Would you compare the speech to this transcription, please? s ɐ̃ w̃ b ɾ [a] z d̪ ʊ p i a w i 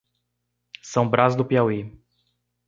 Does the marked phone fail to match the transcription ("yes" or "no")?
no